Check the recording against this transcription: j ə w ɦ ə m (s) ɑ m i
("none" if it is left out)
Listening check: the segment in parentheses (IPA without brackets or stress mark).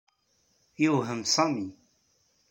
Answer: s